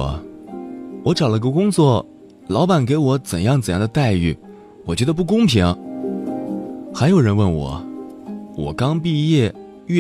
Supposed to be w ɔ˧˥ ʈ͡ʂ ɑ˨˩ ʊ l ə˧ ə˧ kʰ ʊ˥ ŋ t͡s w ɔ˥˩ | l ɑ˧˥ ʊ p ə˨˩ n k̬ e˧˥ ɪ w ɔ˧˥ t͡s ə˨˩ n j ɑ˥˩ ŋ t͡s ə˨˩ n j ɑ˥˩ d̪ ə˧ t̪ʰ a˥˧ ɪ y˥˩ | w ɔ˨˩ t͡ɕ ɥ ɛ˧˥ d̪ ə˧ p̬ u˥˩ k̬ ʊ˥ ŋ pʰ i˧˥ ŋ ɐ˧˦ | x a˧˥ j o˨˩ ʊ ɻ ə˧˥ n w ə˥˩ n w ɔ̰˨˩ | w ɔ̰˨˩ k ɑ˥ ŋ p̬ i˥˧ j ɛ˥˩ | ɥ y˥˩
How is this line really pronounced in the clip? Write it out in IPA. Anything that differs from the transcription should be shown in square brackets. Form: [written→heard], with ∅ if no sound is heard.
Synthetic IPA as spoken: w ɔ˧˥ ʈ͡ʂ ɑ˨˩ ʊ l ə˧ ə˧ [kʰ→k] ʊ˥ ŋ t͡s w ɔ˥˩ | l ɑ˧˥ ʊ p [ə˨˩→a˨˩] n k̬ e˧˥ ɪ w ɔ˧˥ t͡s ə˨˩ n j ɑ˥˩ ŋ t͡s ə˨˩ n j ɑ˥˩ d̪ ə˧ [t̪ʰ→t̪] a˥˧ ɪ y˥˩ | w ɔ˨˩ t͡ɕ ɥ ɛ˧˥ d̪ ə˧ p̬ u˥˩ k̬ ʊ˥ ŋ pʰ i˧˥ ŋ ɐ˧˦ | x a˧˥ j o˨˩ ʊ ɻ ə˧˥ n w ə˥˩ n w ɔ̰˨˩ | w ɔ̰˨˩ k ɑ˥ ŋ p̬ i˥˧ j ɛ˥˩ | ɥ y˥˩